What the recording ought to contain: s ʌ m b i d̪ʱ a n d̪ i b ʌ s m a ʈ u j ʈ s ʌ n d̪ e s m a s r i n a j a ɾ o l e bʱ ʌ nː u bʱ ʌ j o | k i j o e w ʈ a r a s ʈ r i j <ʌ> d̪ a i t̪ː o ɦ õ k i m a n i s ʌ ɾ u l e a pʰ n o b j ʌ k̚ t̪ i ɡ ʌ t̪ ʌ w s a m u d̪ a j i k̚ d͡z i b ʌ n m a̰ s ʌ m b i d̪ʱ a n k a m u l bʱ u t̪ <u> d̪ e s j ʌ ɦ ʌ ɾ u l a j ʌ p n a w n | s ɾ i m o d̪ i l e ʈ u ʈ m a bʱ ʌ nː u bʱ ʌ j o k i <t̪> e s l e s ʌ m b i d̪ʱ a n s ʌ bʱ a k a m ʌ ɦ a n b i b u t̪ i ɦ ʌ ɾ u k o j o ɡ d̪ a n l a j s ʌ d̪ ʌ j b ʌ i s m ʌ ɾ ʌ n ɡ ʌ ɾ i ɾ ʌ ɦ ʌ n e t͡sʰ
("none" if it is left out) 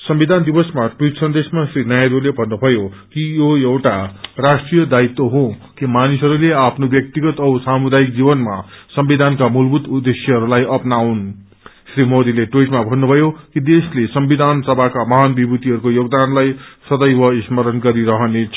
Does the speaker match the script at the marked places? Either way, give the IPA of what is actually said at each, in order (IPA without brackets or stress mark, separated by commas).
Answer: ʌ, u, d̪